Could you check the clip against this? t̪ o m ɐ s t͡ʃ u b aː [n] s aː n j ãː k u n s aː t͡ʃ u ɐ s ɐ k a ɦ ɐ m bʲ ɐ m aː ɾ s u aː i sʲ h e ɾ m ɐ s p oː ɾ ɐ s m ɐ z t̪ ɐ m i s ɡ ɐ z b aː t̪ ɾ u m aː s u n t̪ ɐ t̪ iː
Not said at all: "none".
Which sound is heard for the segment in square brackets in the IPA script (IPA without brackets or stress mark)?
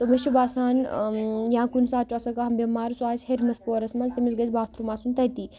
none